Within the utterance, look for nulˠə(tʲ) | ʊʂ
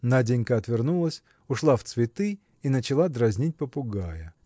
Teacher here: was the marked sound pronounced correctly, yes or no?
no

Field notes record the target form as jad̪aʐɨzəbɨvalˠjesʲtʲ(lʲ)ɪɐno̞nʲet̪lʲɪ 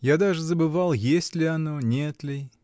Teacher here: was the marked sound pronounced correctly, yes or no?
yes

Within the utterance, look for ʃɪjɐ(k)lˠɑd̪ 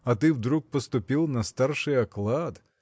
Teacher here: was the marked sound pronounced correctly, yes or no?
yes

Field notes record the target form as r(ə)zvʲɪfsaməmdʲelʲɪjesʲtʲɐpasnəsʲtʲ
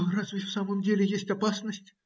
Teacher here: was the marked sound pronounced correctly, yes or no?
no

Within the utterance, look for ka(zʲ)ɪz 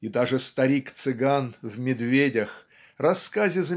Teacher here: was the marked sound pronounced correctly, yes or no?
yes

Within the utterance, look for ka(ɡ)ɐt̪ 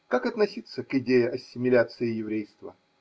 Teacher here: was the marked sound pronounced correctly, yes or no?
no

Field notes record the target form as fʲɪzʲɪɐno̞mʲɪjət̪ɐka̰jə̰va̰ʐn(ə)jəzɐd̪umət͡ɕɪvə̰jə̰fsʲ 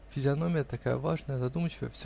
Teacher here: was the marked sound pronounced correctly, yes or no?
yes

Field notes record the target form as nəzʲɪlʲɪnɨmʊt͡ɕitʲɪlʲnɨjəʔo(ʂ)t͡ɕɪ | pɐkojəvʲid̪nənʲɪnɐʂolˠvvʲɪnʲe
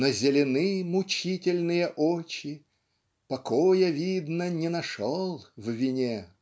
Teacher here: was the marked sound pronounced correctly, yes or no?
no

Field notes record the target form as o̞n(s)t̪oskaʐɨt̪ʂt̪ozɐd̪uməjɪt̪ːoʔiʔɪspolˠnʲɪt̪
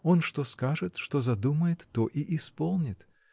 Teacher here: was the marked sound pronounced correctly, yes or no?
no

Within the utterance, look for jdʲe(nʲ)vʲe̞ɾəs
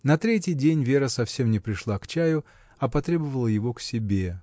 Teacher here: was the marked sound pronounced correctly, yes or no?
yes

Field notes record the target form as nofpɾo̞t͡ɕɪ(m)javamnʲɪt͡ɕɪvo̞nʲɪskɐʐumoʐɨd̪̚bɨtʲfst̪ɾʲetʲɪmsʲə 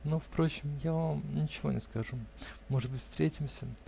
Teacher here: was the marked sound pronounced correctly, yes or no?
yes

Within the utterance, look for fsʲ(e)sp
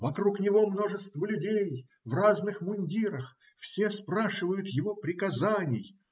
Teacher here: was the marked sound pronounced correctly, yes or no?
yes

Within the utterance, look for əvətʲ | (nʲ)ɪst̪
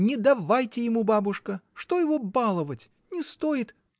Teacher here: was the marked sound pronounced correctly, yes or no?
yes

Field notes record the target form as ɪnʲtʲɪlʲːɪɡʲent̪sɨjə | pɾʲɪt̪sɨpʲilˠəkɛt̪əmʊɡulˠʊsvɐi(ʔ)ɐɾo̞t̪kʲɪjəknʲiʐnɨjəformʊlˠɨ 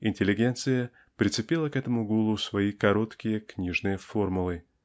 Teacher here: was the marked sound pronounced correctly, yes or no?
no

